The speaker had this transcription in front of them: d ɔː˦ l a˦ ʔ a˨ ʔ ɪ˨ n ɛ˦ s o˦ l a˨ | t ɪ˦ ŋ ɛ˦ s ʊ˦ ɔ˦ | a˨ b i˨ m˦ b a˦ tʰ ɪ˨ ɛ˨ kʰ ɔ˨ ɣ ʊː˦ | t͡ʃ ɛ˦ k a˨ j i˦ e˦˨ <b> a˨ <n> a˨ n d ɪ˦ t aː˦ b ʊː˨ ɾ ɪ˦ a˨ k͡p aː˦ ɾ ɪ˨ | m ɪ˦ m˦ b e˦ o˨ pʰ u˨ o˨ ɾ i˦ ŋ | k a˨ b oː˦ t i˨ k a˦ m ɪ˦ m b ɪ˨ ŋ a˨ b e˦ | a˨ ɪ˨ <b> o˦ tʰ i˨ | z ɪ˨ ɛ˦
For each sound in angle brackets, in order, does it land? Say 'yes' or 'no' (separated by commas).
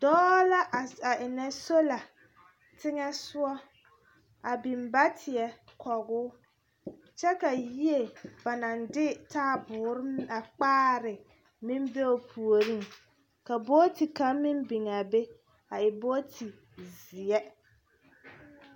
yes, yes, yes